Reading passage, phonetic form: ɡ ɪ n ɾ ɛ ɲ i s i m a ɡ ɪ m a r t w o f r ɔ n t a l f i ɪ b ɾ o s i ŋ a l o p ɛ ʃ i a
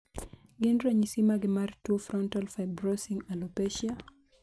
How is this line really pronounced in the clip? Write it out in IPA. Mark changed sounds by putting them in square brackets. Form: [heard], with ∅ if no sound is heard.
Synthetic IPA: ɡ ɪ n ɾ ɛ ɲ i s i m a ɡ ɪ m a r t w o f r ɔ n t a l f [a] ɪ b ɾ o s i ŋ a l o p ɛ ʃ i a